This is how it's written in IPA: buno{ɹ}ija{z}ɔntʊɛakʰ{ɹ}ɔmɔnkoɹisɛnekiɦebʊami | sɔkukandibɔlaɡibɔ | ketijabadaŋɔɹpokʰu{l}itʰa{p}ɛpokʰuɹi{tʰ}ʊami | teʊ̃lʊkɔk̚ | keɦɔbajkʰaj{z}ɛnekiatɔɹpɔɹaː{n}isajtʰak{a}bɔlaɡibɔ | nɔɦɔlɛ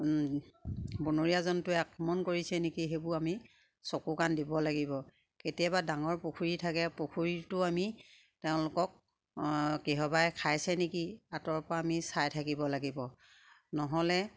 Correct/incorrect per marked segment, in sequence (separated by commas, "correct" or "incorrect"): correct, correct, correct, incorrect, incorrect, incorrect, incorrect, incorrect, incorrect